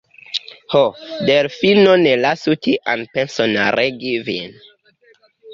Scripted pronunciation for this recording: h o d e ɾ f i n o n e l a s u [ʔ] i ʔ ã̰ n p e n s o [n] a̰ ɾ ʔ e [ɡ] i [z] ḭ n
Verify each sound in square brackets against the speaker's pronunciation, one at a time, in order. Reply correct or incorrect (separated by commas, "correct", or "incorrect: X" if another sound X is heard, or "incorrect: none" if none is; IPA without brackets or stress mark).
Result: incorrect: t, correct, correct, incorrect: v